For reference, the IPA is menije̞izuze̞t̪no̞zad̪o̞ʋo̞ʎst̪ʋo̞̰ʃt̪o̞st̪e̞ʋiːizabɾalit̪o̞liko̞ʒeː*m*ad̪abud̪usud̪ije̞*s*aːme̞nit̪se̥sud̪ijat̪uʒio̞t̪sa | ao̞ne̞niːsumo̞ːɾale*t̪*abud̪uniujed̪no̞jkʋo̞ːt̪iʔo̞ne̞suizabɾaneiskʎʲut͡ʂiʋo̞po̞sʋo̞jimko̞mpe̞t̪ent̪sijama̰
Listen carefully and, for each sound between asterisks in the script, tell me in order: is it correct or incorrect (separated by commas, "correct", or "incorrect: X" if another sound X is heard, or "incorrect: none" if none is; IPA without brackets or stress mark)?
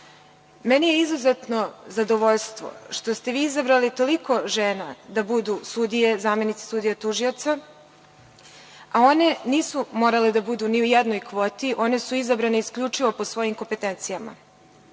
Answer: incorrect: n, incorrect: z, incorrect: d̪